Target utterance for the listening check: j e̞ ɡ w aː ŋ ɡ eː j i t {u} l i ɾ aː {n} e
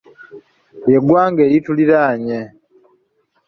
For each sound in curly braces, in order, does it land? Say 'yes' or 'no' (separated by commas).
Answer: yes, no